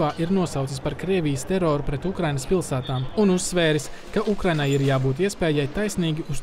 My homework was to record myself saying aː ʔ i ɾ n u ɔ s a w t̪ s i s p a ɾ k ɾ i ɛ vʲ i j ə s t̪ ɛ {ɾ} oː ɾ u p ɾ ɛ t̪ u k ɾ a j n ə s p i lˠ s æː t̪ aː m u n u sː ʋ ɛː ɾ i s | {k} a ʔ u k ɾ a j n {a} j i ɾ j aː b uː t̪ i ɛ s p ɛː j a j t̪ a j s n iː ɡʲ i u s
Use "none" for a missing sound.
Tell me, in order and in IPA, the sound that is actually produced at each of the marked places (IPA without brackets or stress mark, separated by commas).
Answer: ɾ, k, a